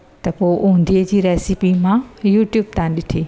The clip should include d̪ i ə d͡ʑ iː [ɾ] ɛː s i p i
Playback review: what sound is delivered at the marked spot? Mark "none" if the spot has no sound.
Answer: ɾ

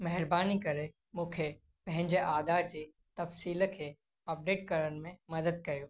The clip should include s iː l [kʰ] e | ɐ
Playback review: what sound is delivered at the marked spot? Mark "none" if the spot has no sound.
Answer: kʰ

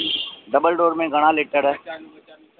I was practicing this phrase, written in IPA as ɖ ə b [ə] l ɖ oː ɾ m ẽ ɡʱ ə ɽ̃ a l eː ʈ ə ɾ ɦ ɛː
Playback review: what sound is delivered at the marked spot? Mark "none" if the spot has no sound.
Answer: ə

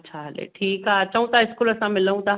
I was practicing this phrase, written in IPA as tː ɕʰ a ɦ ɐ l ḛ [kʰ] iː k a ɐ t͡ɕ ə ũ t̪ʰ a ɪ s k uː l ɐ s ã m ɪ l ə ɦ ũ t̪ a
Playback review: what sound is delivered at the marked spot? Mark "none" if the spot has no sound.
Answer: ʈʰ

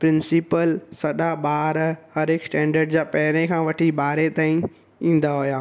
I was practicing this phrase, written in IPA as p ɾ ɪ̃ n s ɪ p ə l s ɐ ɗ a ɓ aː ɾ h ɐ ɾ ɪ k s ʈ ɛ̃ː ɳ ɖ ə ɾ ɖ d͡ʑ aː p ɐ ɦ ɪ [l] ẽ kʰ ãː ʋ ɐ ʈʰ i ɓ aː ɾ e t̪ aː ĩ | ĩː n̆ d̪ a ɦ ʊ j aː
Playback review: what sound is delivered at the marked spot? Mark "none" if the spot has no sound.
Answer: ɾ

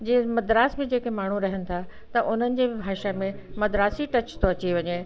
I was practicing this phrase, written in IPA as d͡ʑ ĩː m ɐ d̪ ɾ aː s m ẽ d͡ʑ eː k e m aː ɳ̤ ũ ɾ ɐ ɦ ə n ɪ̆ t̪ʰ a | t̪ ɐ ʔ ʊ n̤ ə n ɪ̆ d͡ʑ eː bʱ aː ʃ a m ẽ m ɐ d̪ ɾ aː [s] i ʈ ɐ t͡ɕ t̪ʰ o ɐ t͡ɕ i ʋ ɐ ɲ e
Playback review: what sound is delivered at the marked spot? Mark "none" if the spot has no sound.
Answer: s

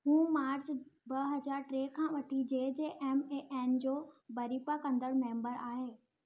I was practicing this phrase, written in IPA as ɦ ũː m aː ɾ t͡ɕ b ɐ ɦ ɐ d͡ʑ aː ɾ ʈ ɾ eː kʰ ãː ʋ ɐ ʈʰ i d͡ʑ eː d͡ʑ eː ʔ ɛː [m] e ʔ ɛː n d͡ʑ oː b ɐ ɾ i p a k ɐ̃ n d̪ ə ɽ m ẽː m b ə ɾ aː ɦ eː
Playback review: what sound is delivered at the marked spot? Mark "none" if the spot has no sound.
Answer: m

